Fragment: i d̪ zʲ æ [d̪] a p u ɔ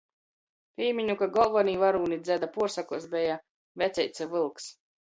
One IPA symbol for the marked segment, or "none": d̪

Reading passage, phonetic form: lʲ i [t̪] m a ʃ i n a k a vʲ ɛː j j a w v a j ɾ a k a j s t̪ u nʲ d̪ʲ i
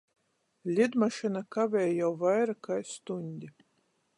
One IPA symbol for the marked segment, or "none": d̪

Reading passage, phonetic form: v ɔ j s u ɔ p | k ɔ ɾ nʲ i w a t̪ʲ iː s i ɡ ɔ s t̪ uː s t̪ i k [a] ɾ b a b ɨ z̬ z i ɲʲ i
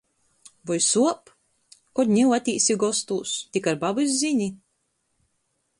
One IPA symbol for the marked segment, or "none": a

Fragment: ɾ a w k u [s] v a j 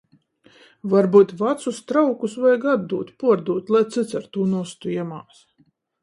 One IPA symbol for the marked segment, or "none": s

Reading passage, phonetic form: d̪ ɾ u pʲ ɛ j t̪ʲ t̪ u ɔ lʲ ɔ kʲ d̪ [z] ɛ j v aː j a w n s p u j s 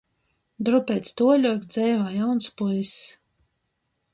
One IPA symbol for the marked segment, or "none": z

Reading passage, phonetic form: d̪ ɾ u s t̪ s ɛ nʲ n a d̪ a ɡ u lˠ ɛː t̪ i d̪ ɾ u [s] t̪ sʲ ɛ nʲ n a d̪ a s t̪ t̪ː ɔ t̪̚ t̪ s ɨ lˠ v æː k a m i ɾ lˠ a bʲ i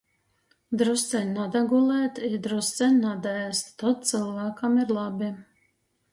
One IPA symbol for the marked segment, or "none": s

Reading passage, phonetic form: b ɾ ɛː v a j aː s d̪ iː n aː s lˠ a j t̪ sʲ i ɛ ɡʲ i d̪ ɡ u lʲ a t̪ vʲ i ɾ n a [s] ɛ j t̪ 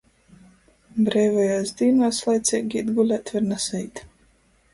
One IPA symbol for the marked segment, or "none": s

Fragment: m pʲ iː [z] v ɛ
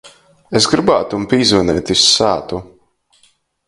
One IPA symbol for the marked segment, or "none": z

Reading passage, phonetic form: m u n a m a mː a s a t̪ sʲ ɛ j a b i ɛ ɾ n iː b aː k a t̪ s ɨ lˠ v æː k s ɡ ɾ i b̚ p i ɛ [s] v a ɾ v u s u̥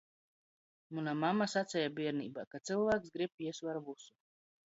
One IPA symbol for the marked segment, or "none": s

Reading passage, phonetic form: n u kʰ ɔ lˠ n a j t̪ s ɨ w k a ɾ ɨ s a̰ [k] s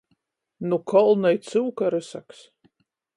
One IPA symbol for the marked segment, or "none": k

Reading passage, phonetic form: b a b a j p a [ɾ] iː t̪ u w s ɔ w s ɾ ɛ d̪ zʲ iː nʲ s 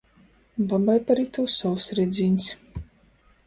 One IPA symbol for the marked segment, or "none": ɾ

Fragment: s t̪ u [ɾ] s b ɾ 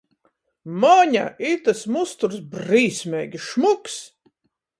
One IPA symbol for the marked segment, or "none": ɾ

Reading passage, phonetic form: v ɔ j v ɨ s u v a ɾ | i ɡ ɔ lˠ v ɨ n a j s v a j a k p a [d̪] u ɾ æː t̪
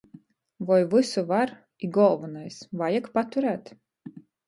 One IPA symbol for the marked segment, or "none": t̪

